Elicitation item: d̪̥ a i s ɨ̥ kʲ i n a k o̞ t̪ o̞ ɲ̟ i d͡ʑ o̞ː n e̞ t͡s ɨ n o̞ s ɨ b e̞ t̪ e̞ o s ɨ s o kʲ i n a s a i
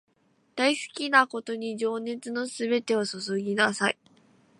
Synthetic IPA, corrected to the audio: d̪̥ a i s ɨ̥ kʲ i n a k o̞ t̪ o̞ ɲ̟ i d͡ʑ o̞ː n e̞ t͡s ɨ n o̞ s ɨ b e̞ t̪ e̞ o s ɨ s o ɡʲ i n a s a i